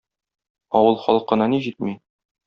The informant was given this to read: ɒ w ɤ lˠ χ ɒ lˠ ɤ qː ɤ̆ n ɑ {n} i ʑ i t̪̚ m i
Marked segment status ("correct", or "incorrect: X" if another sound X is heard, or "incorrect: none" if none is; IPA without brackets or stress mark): correct